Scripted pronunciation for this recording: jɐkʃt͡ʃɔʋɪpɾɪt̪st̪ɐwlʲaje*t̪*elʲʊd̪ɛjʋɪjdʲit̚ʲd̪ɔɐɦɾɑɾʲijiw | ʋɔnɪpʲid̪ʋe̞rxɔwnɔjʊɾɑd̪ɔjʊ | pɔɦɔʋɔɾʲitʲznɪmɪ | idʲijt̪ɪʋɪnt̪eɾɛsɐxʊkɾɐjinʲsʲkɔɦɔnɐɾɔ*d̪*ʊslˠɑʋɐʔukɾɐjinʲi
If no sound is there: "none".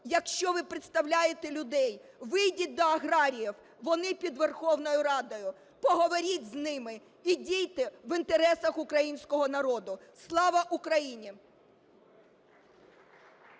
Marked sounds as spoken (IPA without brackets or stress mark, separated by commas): t̪, d̪